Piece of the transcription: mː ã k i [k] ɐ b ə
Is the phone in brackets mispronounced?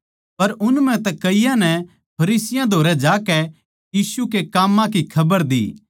yes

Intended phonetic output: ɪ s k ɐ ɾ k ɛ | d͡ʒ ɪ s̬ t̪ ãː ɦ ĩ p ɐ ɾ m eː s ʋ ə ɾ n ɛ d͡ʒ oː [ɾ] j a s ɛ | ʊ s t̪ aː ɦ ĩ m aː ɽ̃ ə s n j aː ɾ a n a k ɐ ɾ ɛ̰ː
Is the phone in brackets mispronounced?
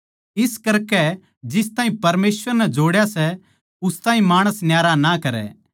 yes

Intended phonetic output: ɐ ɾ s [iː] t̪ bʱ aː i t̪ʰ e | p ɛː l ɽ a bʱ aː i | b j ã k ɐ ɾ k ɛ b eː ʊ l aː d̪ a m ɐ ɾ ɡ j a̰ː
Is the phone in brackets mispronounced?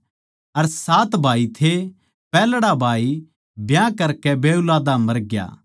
yes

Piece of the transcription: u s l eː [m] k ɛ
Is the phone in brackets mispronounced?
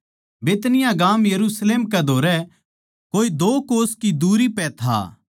no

